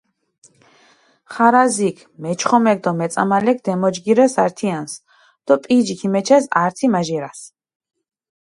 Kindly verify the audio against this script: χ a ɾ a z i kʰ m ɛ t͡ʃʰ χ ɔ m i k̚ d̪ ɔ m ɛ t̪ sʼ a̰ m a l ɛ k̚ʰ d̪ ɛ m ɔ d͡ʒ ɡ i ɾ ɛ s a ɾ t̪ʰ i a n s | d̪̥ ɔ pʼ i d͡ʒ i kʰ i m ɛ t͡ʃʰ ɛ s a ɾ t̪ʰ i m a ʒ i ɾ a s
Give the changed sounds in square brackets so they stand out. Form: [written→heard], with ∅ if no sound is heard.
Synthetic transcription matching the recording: χ a ɾ a z i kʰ m ɛ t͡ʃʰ χ ɔ m [i→ɛ] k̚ d̪ ɔ m ɛ t̪ sʼ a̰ m a l ɛ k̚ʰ d̪ ɛ m ɔ d͡ʒ ɡ i ɾ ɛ s a ɾ t̪ʰ i a n s | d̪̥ ɔ pʼ i d͡ʒ i kʰ i m ɛ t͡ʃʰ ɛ s a ɾ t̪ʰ i m a ʒ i ɾ a s